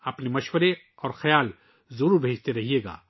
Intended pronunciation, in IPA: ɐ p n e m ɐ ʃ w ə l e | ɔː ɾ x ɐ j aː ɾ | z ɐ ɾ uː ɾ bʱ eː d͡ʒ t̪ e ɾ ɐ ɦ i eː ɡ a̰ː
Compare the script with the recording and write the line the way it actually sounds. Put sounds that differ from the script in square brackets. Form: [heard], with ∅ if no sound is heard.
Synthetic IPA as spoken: ɐ p n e m ɐ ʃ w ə [ɾ] e | ɔː ɾ x ɐ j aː [l] | z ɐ ɾ uː ɾ bʱ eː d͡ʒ t̪ e ɾ ɐ ɦ i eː ɡ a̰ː